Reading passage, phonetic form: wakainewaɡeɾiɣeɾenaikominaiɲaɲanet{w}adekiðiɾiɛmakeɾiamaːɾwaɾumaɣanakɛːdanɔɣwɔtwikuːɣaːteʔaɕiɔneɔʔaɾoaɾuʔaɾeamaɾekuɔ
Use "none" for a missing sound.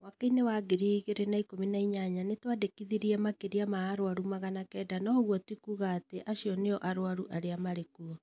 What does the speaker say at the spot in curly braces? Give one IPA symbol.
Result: w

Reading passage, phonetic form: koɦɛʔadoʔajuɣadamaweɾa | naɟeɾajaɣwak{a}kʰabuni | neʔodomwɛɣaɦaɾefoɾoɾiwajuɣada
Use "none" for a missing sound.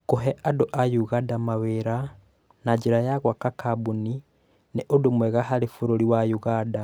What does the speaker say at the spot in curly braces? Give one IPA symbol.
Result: a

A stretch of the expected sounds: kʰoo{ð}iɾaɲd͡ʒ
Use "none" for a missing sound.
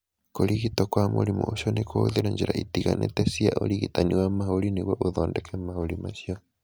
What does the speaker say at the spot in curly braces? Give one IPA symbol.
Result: ð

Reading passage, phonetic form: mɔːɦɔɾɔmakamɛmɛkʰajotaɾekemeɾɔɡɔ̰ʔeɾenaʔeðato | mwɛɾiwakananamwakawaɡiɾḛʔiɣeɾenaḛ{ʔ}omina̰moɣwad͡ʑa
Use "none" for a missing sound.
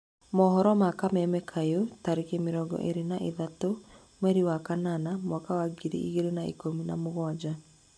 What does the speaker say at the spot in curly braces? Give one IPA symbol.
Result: k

